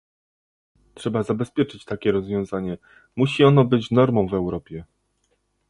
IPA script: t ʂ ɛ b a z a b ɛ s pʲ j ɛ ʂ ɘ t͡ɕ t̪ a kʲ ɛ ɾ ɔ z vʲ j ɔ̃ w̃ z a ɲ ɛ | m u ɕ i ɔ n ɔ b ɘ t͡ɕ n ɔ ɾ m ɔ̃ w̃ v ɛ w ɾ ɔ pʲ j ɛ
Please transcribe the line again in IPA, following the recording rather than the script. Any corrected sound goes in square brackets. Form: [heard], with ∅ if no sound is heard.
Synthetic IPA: t ʂ ɛ b a z a b ɛ s pʲ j ɛ [t͡ʂ] ɘ t͡ɕ t̪ a kʲ ɛ ɾ ɔ z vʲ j ɔ̃ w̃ z a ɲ ɛ | m u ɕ i ɔ n ɔ b ɘ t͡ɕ n ɔ ɾ m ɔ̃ w̃ v ɛ w ɾ ɔ pʲ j ɛ